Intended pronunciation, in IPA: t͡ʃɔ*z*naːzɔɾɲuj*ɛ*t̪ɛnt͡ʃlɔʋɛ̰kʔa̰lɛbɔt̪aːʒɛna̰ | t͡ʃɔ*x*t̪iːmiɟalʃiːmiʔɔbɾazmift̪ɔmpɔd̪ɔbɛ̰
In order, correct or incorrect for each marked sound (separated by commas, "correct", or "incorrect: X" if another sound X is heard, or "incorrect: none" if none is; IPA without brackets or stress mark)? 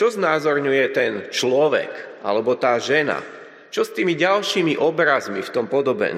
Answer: correct, correct, incorrect: s